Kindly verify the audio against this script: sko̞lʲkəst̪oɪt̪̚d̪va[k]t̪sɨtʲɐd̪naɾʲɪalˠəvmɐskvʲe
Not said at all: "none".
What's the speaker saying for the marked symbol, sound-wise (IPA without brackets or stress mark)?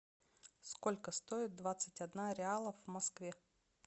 none